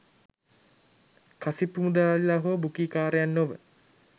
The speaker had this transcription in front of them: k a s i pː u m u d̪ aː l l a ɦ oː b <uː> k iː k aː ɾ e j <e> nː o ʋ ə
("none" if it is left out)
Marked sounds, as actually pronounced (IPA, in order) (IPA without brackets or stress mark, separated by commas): u, a